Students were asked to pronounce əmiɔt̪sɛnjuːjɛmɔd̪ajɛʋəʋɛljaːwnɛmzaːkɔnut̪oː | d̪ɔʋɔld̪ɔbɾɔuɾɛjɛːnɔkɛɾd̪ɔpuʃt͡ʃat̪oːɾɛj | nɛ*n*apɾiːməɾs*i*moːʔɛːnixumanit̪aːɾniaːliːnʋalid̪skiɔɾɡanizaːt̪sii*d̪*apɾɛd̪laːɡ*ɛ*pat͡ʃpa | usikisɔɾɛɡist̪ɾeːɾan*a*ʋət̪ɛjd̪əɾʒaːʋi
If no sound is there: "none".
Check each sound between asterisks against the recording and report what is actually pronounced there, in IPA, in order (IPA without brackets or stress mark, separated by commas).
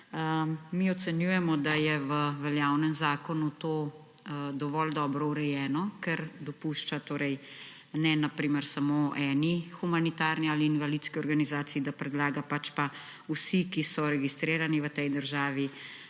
n, a, d̪, a, i